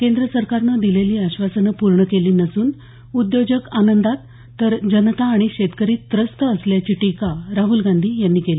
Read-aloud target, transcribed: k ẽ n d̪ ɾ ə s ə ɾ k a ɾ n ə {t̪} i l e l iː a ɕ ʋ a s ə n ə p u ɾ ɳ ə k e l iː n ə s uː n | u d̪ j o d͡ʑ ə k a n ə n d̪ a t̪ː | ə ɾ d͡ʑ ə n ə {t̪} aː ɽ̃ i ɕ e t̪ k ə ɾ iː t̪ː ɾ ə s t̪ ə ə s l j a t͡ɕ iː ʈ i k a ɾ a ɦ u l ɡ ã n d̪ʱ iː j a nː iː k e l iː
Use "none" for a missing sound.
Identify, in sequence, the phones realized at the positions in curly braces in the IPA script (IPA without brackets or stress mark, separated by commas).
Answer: d̪, t̪